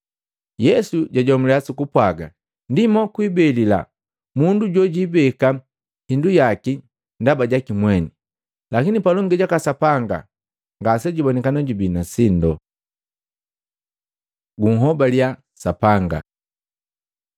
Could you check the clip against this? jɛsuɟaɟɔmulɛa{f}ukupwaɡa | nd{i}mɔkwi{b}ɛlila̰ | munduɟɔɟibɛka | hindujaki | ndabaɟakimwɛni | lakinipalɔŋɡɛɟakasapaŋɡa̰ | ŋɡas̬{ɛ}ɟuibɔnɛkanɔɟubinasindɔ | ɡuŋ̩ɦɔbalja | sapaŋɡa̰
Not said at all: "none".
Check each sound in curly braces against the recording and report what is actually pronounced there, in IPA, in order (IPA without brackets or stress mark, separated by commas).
s, i, b, ɛ